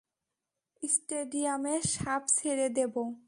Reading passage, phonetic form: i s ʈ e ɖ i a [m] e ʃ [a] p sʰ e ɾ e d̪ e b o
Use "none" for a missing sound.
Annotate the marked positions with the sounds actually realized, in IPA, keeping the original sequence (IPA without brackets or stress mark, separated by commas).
m, a